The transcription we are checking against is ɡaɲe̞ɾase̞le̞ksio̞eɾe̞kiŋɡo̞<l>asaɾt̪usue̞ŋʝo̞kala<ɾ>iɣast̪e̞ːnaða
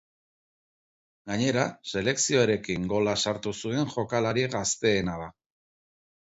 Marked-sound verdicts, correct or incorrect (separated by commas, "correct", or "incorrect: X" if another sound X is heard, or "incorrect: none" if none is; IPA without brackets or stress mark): correct, correct